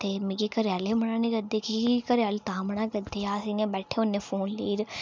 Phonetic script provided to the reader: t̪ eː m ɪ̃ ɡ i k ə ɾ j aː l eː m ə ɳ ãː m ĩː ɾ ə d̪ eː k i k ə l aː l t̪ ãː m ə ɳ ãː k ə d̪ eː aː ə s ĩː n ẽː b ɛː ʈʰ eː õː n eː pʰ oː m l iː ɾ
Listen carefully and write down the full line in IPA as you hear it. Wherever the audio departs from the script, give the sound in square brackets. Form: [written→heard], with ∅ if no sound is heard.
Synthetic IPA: t̪ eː m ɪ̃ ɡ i k ə ɾ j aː l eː m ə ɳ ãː [m→n] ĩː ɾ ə d̪ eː k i k ə [l→ɾ] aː l t̪ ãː m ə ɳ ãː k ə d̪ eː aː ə s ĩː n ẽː b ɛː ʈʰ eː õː n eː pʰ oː [m→n] l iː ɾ